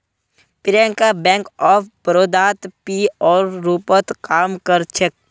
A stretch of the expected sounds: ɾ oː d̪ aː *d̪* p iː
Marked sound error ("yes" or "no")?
yes